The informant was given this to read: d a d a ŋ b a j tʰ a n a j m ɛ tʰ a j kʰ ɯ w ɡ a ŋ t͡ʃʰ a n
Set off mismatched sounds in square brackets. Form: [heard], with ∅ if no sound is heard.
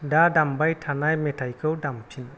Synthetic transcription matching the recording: d a d a [m] b a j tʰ a n a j m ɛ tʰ a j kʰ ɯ w [d] a [m] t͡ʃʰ [i] n